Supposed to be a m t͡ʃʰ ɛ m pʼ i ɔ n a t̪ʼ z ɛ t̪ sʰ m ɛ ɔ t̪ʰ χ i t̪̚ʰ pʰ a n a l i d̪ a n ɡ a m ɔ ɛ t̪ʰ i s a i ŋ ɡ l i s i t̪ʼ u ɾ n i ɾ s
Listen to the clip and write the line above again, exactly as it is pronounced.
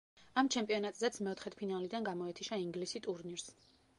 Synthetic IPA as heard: a m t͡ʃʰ ɛ m pʼ i ɔ n a t̪ʼ z ɛ t̪ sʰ m ɛ ɔ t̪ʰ χ ɛ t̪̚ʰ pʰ i n a l i d̪ a n ɡ a m ɔ ɛ t̪ʰ i ʃ a i ŋ ɡ l i s i t̪ʼ u ɾ n i ɾ s